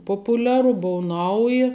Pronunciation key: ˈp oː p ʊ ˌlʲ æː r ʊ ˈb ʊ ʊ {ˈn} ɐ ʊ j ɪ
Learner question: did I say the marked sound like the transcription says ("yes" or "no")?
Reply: yes